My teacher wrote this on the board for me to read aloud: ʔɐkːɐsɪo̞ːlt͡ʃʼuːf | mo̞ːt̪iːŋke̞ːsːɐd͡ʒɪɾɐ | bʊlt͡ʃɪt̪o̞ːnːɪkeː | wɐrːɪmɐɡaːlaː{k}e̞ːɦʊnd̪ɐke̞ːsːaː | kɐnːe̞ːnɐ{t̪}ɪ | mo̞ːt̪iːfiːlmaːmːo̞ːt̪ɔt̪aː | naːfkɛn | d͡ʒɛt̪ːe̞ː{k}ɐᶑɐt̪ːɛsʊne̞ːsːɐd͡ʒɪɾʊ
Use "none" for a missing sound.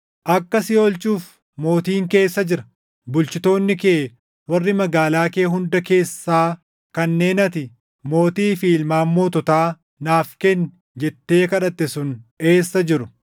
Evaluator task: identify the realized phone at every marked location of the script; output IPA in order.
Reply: k, t̪, k

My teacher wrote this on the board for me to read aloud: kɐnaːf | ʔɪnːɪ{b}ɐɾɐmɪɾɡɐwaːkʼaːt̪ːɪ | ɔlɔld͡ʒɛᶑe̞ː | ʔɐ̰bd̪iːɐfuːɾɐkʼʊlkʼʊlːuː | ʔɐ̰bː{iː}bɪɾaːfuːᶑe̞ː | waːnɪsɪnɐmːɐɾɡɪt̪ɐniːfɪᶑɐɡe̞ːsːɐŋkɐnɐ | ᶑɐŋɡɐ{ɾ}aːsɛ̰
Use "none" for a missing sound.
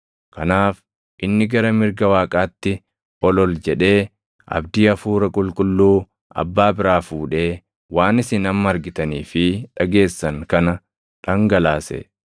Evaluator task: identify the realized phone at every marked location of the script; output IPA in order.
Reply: ɡ, aː, l

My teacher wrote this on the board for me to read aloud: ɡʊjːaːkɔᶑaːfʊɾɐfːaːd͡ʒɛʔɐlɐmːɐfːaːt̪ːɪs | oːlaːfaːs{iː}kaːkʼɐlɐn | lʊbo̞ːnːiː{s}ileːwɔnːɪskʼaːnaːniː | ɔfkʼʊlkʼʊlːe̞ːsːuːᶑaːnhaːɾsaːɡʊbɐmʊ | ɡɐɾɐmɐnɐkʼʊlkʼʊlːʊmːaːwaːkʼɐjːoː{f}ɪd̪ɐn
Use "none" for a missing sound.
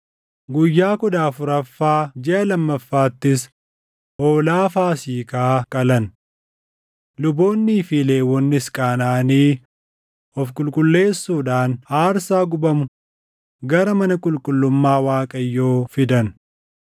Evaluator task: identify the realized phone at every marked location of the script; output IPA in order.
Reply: iː, f, f

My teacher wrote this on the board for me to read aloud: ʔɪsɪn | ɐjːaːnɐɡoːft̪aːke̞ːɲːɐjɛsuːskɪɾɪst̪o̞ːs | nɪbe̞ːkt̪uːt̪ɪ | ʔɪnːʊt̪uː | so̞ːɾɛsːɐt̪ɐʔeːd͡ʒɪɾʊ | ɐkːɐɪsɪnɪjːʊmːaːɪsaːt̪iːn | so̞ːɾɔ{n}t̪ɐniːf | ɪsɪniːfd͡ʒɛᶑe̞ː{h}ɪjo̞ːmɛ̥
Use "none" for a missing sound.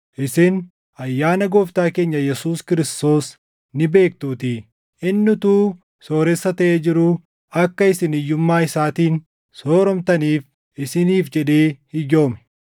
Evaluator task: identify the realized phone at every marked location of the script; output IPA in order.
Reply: m, h

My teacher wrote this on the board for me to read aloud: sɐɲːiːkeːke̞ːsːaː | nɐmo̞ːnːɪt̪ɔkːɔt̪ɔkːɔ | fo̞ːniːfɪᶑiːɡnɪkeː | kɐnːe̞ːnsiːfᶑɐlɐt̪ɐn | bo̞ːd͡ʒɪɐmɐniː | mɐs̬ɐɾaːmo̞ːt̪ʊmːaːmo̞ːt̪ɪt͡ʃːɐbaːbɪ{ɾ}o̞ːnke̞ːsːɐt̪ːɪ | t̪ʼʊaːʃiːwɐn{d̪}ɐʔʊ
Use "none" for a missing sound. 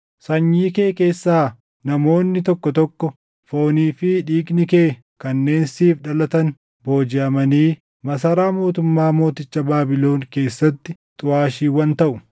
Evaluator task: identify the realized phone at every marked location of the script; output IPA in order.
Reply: l, t̪

